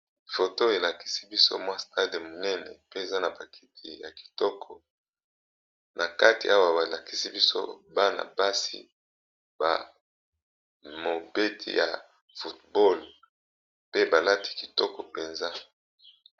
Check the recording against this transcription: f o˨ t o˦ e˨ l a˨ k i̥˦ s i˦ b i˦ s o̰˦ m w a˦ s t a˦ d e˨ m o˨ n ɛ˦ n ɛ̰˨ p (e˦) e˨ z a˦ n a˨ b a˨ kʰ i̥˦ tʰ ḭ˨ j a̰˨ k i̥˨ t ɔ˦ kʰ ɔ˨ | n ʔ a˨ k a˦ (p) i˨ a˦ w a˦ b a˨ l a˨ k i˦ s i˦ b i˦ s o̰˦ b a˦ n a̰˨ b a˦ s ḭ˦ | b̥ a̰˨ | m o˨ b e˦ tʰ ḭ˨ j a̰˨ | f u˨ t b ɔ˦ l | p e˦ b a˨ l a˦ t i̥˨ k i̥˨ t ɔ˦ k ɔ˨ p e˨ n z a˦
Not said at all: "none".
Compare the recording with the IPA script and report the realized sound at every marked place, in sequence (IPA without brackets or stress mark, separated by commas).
e˦, t